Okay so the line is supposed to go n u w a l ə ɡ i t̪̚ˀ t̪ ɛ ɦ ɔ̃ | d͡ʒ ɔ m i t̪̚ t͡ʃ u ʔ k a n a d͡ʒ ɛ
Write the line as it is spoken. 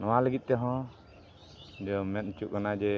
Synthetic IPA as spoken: n ɔ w a l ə ɡ i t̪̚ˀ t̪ ɛ ɦ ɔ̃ | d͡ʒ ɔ m ɛ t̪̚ t͡ʃ u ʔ k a n a d͡ʒ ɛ